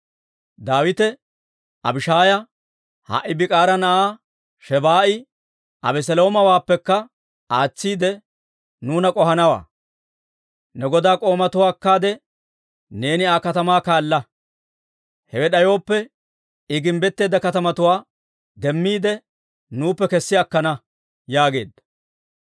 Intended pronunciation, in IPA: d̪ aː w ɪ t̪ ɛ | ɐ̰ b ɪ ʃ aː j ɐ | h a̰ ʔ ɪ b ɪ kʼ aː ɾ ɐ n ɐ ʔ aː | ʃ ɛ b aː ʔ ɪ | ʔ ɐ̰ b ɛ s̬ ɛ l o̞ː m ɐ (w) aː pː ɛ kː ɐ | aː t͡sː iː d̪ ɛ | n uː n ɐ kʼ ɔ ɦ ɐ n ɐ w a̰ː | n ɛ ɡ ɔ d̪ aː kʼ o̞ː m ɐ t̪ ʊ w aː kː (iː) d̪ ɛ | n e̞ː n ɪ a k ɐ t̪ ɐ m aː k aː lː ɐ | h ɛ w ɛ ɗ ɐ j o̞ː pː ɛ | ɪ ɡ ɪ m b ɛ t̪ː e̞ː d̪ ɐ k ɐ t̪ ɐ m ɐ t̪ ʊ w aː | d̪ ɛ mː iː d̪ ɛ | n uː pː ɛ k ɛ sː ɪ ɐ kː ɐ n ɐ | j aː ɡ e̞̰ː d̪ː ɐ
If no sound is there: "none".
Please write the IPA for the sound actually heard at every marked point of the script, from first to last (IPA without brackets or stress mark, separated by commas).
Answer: w, aː